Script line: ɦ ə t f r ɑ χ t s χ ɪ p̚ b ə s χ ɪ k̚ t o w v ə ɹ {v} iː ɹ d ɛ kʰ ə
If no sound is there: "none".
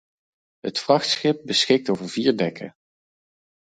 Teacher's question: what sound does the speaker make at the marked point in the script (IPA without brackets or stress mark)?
v